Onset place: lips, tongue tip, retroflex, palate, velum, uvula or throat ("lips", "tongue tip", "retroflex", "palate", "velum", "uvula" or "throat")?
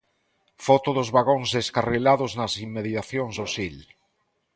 lips